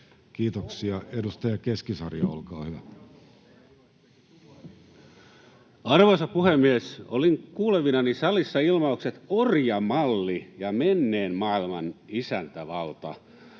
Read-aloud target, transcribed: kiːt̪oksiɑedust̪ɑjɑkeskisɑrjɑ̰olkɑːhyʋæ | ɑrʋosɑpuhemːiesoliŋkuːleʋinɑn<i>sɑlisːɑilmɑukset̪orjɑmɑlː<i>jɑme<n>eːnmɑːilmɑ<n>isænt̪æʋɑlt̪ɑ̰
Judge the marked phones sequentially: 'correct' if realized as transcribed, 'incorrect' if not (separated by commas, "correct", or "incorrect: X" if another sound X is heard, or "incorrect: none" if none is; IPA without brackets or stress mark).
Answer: correct, correct, incorrect: nː, correct